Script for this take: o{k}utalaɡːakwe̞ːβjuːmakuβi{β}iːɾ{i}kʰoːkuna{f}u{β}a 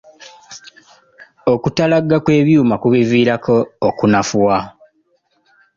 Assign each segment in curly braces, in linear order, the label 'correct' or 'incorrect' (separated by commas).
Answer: correct, incorrect, incorrect, correct, incorrect